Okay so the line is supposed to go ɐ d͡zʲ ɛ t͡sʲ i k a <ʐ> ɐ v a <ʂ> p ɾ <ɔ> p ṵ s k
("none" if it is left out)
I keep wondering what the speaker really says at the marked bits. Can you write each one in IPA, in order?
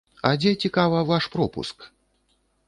v, ʂ, ɔ

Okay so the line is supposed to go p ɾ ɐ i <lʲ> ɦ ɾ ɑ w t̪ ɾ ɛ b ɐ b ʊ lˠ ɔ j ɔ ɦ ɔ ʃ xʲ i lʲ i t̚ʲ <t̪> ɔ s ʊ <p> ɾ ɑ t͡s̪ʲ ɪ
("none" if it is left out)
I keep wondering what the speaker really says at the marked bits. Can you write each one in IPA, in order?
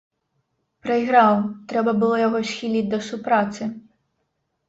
none, d̪, p

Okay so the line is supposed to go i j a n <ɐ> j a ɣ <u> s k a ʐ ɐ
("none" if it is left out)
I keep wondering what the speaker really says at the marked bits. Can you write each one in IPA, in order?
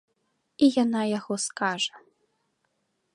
a, ɔ

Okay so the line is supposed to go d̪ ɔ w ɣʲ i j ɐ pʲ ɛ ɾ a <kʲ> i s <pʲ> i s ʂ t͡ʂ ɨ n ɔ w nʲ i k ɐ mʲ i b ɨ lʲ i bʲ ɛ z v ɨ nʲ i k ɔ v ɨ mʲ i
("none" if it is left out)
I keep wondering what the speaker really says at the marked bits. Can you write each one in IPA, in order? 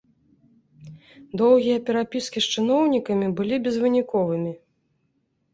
pʲ, kʲ

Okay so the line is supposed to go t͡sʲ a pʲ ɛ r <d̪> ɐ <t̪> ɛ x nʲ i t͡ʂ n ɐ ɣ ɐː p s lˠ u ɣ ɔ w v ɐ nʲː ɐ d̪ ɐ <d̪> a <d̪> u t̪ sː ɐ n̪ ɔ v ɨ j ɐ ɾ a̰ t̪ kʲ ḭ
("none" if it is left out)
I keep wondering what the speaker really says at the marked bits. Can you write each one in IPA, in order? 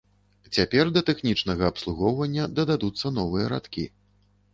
d̪, t̪, d̪, d̪

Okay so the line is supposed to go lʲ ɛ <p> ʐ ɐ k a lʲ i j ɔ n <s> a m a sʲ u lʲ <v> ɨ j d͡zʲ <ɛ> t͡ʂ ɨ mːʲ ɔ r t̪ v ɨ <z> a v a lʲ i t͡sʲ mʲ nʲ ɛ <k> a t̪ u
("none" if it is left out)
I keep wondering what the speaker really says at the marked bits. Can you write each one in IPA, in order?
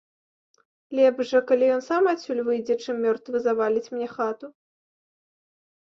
b, s, v, ɛ, z, x

